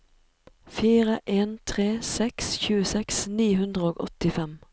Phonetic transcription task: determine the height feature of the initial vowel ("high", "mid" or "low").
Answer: high